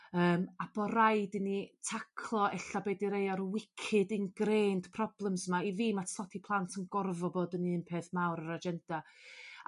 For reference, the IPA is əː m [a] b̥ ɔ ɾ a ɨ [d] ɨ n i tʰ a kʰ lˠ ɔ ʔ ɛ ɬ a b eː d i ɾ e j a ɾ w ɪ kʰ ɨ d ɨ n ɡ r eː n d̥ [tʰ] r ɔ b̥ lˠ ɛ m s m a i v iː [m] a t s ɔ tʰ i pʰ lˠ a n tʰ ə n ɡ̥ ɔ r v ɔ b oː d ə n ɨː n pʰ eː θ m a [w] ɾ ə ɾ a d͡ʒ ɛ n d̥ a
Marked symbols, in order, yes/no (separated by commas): yes, yes, no, yes, yes